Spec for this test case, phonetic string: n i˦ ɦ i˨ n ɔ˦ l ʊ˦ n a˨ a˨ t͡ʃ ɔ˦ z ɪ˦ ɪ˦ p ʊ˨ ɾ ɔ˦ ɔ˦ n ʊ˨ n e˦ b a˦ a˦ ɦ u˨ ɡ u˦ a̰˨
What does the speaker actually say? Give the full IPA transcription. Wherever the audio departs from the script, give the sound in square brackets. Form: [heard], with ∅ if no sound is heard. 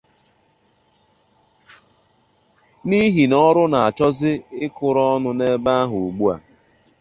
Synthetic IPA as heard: n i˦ ɦ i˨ n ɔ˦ [ɾ] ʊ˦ n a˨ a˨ t͡ʃ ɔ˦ z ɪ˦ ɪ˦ [k] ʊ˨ ɾ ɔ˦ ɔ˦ n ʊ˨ n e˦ b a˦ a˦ ɦ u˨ [ɡ͡b] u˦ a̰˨